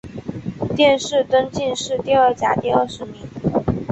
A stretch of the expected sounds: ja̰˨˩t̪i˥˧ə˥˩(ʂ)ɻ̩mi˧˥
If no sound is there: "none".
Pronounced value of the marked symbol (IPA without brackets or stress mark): ʂ